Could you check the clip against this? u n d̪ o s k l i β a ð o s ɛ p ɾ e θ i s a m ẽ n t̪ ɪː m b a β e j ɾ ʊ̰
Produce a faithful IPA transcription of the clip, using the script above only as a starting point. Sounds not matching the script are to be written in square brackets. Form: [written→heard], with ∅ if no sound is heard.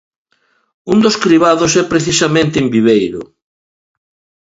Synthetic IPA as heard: u n d̪ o s k [l→ɾ] i β a ð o s ɛ p ɾ e θ i s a m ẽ n t̪ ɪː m b [a→i] β e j ɾ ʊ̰